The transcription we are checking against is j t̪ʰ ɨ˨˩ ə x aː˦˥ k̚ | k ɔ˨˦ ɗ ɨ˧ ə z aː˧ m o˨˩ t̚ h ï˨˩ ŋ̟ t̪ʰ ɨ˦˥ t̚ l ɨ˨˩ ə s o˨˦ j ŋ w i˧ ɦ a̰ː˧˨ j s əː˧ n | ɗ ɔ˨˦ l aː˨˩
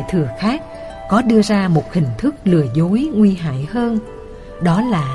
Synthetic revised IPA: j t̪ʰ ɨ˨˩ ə x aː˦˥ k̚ | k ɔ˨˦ ɗ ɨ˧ ə z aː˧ m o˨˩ t̚ h ï˨˩ ŋ̟ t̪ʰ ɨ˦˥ k̚ l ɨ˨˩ ə z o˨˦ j ŋ w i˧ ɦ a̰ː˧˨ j h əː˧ n | ɗ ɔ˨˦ l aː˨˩